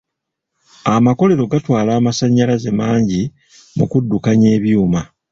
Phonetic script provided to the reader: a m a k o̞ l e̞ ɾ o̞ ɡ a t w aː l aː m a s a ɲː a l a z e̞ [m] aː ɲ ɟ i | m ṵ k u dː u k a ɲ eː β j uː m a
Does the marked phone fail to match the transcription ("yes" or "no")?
no